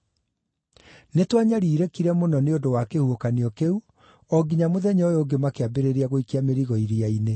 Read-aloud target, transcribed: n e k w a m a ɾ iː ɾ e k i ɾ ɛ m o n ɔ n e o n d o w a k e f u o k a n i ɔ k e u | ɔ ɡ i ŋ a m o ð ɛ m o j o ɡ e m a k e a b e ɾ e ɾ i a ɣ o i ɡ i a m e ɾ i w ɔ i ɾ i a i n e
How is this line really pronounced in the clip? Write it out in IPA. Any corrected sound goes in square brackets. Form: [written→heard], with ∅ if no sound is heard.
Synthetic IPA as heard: n e [k→t] w a [m→ɲ] a ɾ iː ɾ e k i ɾ ɛ m o n ɔ n e o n d o w a k e [f→h] u o k a n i ɔ k e u | ɔ ɡ i [ŋ→ɲ] a m o ð ɛ [m→ɲ] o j o ɡ e m a k e a b e ɾ e ɾ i a ɣ o i [ɡ→k] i a m e ɾ i [w→ɣ] ɔ i ɾ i a i n e